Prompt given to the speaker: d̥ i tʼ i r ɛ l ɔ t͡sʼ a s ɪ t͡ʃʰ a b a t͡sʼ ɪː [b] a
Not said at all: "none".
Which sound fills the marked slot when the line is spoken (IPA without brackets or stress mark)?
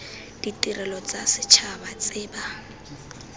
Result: b